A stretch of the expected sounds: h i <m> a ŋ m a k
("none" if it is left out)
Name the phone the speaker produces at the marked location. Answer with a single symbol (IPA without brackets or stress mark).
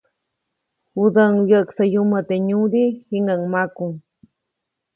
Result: ŋ